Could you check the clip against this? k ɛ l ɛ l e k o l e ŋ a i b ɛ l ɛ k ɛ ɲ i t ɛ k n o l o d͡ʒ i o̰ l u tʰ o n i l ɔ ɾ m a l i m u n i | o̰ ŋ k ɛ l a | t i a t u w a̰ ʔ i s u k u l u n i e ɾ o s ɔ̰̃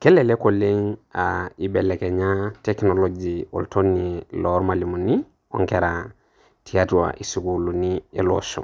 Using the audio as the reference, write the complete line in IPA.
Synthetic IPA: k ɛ l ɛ l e k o l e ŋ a i b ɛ l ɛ k ɛ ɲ a t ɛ k n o l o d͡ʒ i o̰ l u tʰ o n i l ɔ ɾ m a l i m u n i | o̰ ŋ k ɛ ɾ a | t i a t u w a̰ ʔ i s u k u l u n i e l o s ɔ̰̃